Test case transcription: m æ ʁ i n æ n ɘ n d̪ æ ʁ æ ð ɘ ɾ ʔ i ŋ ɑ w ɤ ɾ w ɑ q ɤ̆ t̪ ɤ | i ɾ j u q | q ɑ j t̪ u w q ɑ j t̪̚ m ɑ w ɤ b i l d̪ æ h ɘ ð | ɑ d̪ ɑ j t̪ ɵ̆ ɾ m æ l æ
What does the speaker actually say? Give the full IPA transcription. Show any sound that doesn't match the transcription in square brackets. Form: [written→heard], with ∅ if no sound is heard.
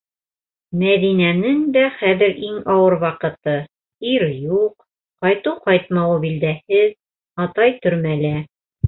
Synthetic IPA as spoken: m æ [ʁ→ð] i n æ n ɘ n d̪ æ [ʁ→χ] æ ð ɘ ɾ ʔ i ŋ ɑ w ɤ ɾ w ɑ q ɤ̆ t̪ ɤ | i ɾ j u q | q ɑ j t̪ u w q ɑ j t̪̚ m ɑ w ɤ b i l d̪ æ h ɘ ð | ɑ [d̪→t̪] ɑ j t̪ ɵ̆ ɾ m æ l æ

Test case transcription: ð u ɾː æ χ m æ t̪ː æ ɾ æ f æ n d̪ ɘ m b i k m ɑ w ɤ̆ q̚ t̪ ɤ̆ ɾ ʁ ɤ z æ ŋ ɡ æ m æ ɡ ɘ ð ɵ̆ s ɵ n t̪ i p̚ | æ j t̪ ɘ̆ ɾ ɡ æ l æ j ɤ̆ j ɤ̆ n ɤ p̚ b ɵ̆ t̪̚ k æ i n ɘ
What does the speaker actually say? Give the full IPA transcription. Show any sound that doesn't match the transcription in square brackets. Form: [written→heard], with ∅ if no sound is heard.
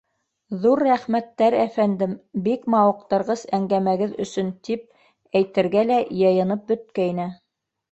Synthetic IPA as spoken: ð u ɾː æ χ m æ t̪ː æ ɾ æ f æ n d̪ ɘ m b i k m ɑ w ɤ̆ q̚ t̪ ɤ̆ ɾ ʁ ɤ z æ ŋ ɡ æ m æ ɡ ɘ ð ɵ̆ s ɵ n t̪ i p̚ | æ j t̪ ɘ̆ ɾ ɡ æ l æ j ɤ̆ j ɤ̆ n ɤ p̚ b ɵ̆ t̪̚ k æ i n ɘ

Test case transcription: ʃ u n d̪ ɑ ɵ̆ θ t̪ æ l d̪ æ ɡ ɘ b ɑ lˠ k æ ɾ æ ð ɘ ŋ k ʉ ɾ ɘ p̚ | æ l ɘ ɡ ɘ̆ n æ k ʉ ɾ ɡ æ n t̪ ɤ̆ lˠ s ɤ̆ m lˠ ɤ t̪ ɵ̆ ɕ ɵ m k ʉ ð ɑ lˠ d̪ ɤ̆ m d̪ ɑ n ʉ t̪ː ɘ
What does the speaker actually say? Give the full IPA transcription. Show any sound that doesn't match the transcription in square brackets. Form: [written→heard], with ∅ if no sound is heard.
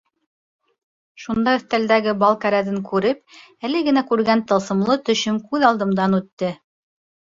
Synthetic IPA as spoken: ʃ u n d̪ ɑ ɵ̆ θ t̪ æ l d̪ æ ɡ ɘ b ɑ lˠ k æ ɾ æ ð ɘ ŋ k ʉ ɾ ɘ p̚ | æ l ɘ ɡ ɘ̆ n æ k ʉ ɾ ɡ æ n t̪ ɤ̆ lˠ s ɤ̆ m lˠ ɤ t̪ ɵ̆ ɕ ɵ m k ʉ ð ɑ lˠ d̪ ɤ̆ m d̪ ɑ n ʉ t̪ː ɘ

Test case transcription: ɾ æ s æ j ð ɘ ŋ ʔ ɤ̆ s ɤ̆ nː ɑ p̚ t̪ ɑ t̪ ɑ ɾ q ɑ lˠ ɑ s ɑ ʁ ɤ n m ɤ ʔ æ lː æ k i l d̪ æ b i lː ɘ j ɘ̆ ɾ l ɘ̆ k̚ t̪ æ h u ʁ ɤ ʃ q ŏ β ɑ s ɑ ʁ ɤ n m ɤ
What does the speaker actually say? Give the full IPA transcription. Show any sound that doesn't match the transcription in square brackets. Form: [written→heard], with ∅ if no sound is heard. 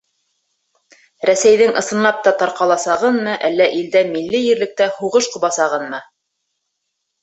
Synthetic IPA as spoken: ɾ æ s æ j ð ɘ ŋ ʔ ɤ̆ s ɤ̆ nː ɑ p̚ t̪ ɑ t̪ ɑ ɾ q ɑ lˠ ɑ s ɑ ʁ ɤ n m ɤ ʔ æ lː æ [k→ʔ] i l d̪ æ [b→m] i lː ɘ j ɘ̆ ɾ l ɘ̆ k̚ t̪ æ h u ʁ ɤ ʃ q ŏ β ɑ s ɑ ʁ ɤ n m ɤ

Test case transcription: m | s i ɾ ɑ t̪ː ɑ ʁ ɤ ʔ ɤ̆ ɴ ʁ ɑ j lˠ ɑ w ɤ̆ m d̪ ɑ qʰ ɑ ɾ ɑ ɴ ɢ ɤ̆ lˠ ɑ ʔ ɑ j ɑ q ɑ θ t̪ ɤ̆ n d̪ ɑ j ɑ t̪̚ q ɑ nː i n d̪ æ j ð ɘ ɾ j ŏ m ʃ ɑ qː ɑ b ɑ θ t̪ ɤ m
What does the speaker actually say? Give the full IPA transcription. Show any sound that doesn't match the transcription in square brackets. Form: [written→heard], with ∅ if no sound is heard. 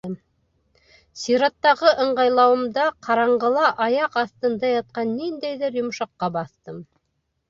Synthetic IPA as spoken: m | s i ɾ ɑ t̪ː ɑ ʁ ɤ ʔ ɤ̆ ɴ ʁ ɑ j lˠ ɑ w ɤ̆ m d̪ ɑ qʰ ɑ ɾ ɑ ɴ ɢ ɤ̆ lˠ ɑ ʔ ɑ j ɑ q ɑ θ t̪ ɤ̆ n d̪ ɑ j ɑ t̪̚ q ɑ nː i n d̪ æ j ð ɘ ɾ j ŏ m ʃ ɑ qː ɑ b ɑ θ t̪ ɤ m

